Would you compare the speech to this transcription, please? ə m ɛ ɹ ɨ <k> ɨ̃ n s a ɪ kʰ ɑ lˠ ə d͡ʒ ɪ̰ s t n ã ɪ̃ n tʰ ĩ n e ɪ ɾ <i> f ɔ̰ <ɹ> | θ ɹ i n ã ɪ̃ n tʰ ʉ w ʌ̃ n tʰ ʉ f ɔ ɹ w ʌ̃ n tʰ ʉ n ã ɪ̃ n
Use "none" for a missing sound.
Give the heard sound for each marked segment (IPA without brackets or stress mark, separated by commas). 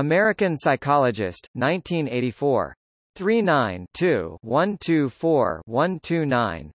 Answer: k, i, ɹ